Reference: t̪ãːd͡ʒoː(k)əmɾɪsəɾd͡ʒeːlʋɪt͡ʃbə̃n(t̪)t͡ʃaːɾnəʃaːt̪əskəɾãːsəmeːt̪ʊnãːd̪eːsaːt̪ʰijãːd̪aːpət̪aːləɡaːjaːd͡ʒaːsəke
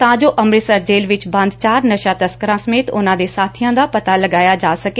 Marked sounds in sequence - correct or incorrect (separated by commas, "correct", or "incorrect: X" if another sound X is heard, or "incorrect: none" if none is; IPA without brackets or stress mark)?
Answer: incorrect: ʔ, incorrect: d̪